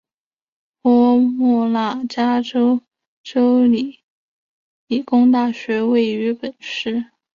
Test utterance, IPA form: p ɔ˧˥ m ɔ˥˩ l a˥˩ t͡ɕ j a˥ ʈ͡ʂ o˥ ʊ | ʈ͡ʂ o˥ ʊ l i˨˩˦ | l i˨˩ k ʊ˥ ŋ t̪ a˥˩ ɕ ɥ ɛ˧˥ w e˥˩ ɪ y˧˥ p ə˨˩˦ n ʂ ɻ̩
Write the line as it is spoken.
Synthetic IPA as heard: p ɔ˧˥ m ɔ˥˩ l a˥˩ t͡ɕ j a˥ ʈ͡ʂ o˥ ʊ | ʈ͡ʂ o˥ ʊ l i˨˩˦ | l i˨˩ k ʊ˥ ŋ t̪ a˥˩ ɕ ɥ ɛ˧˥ w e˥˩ ɪ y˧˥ p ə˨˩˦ n ʂ ɻ̩